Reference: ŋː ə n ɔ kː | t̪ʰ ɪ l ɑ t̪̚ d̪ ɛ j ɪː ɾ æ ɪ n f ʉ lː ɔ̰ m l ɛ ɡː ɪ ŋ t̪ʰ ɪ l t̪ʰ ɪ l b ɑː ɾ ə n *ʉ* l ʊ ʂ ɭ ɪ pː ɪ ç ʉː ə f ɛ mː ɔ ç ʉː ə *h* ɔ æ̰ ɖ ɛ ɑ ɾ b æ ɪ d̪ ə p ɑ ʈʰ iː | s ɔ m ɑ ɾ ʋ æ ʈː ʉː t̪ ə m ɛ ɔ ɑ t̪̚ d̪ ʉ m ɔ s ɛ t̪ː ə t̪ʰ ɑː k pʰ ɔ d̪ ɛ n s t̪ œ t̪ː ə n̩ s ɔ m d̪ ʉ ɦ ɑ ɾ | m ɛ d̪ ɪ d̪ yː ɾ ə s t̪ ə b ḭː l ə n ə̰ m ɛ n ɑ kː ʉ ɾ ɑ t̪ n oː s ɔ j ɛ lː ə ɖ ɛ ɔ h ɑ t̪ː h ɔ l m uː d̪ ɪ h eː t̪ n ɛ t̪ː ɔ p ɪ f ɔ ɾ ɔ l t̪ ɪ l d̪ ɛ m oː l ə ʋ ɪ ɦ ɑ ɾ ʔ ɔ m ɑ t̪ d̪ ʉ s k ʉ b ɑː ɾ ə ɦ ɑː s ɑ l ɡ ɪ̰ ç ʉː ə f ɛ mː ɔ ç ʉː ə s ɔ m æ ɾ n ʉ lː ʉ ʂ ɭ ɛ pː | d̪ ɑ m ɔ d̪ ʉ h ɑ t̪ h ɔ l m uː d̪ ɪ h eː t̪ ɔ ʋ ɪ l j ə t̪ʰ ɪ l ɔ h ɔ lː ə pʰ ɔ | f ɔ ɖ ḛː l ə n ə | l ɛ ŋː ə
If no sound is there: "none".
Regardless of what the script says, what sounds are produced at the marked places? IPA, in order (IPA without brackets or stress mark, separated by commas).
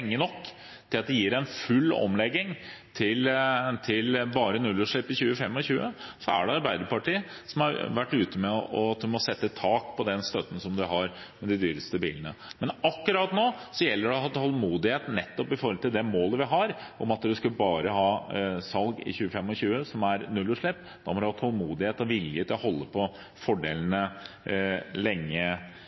ʉ, s